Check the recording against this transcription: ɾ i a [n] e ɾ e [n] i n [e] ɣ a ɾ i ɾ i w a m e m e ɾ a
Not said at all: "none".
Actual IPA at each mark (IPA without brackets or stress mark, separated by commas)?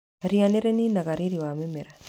n, n, a